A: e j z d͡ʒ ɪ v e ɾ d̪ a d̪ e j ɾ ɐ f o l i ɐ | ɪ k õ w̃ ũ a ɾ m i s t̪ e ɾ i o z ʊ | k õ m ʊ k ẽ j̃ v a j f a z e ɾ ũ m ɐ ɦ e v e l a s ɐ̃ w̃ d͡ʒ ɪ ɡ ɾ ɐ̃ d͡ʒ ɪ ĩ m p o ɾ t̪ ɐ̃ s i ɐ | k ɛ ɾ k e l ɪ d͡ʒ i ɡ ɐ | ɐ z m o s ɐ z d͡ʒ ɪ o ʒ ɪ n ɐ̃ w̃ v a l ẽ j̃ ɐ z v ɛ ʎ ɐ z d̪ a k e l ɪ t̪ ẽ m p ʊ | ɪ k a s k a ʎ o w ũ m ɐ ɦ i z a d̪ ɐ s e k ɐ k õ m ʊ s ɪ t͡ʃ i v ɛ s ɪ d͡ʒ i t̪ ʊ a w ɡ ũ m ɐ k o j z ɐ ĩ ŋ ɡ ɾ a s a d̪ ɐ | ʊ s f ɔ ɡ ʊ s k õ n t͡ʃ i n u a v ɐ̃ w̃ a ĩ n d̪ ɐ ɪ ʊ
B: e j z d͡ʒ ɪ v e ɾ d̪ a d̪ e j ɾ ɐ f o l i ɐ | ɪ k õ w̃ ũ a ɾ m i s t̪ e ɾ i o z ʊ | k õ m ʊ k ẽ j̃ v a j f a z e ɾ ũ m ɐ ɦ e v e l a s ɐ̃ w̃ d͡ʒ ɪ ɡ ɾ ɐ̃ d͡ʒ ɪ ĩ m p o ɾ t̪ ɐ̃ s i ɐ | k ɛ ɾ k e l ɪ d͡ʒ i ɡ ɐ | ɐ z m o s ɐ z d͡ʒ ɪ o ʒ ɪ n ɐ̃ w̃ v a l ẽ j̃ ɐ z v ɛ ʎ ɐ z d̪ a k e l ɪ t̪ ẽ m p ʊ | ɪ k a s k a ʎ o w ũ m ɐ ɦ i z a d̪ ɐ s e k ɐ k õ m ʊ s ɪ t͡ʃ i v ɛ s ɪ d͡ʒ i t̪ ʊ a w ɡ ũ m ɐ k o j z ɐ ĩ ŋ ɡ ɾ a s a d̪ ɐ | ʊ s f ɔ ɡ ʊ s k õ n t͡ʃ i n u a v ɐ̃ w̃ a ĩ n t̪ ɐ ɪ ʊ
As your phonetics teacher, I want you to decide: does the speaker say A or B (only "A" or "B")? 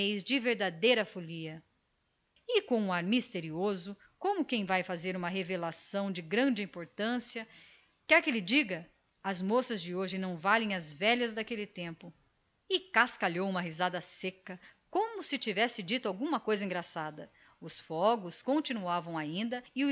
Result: A